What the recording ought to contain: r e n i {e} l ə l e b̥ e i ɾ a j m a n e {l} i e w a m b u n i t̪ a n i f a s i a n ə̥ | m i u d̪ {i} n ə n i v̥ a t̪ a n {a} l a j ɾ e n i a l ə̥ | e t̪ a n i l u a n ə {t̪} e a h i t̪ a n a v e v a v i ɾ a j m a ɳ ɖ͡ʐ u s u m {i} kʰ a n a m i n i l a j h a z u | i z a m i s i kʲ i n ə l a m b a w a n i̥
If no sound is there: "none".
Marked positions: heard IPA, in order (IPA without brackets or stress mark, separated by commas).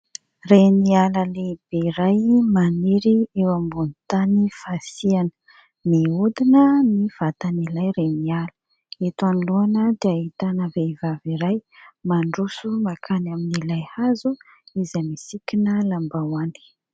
a, ɾ, i, i, d̪, a